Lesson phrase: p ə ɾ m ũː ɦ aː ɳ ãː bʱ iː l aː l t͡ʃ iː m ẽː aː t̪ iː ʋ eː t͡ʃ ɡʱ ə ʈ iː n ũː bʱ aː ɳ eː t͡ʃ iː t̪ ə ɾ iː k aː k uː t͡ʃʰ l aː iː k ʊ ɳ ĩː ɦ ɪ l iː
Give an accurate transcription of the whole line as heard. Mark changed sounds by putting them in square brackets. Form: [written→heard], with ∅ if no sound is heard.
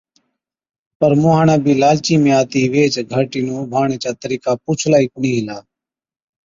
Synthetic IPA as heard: p ə ɾ m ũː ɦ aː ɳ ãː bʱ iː l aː l t͡ʃ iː m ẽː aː t̪ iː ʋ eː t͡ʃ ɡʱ ə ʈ iː n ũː bʱ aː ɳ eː t͡ʃ [iː→aː] t̪ ə ɾ iː k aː [k→p] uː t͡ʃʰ l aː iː k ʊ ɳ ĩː ɦ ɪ l [iː→aː]